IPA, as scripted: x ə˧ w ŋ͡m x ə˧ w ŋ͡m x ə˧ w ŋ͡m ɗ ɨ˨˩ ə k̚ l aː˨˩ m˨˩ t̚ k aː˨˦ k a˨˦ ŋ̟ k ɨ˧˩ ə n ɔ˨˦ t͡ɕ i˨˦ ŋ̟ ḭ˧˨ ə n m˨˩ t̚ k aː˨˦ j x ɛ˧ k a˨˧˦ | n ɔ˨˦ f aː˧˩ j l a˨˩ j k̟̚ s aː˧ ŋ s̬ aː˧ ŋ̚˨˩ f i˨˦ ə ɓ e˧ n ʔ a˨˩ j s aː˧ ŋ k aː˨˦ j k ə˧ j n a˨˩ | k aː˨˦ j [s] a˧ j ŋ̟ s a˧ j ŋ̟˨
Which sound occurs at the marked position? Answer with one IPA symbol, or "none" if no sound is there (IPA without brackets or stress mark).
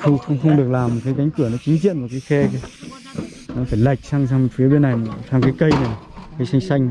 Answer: s